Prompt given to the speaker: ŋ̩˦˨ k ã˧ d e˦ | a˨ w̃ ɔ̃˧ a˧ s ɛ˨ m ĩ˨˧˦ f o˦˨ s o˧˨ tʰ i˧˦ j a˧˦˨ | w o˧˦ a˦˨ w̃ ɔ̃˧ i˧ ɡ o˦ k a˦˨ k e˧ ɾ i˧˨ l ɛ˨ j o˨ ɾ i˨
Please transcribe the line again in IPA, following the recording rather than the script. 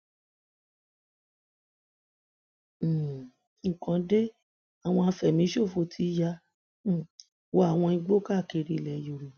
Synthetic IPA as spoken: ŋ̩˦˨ k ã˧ d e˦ | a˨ w̃ ɔ̃˧ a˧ f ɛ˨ m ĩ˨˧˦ ʃ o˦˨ f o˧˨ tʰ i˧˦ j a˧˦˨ | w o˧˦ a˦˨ w̃ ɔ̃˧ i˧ ɡ͡b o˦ k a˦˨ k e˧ ɾ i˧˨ l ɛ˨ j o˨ ɾ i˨

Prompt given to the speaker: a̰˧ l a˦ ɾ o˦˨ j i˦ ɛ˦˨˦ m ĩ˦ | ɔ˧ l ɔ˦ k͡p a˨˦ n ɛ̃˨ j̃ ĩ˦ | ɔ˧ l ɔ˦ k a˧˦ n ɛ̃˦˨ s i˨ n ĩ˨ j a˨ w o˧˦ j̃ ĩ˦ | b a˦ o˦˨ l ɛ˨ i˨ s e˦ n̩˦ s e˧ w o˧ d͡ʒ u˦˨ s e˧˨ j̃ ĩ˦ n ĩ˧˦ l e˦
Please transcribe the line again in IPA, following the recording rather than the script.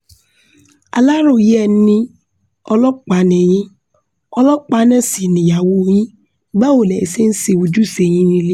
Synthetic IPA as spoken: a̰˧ l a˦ ɾ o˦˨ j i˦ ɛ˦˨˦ n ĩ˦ | ɔ˧ l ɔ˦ k͡p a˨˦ n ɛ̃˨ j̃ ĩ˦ | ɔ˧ l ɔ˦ k͡p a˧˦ n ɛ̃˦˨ s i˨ n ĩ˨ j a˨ w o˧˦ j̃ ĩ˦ | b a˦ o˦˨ l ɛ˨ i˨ s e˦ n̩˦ s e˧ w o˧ d͡ʒ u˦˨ s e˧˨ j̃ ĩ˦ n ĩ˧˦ l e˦

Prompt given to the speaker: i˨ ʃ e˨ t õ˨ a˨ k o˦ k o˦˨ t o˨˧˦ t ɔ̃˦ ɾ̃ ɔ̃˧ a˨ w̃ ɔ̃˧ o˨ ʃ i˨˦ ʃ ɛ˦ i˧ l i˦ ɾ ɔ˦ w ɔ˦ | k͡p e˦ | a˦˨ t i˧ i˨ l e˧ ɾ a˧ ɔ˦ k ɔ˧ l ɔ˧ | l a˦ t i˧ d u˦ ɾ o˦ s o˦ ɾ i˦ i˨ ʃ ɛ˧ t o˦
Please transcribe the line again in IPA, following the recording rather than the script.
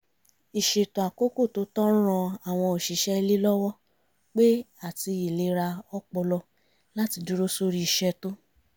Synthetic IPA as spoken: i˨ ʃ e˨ t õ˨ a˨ k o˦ k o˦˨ t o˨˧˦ t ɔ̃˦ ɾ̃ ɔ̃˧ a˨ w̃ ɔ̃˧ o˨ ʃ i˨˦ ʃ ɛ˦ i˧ l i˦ l ɔ˦ w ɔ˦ | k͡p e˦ | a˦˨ t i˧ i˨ l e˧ ɾ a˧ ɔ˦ k͡p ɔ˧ l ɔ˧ | l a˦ t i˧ d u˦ ɾ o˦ s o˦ ɾ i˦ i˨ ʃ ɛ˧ t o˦

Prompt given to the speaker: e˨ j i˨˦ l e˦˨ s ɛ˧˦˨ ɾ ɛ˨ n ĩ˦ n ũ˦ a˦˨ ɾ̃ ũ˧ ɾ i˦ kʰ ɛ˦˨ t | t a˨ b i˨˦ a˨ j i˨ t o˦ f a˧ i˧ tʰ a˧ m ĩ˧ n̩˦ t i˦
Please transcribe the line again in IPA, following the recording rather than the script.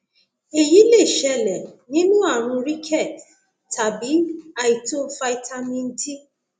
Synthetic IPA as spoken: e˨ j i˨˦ l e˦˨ ʃ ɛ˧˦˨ l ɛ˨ n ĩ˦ n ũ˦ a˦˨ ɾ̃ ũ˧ ɾ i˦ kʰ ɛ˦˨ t | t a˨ b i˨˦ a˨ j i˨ t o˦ f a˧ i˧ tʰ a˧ m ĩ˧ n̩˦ t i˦

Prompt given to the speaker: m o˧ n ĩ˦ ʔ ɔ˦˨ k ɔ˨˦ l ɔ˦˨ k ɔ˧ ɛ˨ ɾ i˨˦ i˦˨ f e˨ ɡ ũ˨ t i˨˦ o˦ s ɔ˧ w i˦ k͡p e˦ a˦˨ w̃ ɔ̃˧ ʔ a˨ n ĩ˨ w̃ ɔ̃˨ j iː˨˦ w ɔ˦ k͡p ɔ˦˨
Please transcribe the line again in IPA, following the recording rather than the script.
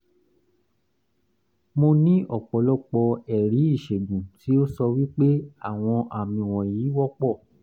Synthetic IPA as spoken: m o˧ n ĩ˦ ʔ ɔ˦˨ k͡p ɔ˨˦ l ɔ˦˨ k͡p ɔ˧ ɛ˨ ɾ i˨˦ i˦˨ ʃ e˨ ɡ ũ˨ t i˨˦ o˦ s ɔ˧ w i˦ k͡p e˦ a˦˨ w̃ ɔ̃˧ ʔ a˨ m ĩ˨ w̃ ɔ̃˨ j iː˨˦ w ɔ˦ k͡p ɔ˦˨

